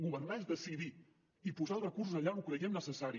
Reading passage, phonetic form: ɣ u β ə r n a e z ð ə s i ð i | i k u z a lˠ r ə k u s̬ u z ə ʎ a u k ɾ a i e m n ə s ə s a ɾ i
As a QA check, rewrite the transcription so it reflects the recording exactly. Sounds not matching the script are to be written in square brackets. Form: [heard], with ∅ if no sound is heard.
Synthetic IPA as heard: ɣ u β ə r n a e z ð ə s i ð i | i [p] u z a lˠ r ə k u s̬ u z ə ʎ a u k ɾ [ə] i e m n ə s ə s a ɾ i